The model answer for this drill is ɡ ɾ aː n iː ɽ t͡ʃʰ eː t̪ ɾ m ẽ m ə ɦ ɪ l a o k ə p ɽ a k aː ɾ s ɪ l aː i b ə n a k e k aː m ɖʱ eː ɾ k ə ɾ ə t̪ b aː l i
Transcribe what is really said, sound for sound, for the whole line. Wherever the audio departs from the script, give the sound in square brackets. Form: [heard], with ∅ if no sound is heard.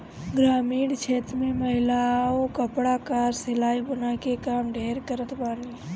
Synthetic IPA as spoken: ɡ ɾ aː [m] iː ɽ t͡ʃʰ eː t̪ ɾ m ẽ m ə ɦ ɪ l a o k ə p ɽ a k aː ɾ s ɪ l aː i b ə n a k e k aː m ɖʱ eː ɾ k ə ɾ ə t̪ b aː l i